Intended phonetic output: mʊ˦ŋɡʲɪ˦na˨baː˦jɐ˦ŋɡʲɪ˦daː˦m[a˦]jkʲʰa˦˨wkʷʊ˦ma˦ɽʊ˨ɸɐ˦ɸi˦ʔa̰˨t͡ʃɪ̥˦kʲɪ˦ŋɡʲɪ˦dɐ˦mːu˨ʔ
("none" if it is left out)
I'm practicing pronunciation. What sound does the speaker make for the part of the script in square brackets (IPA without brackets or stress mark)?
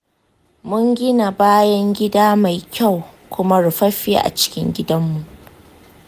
a˨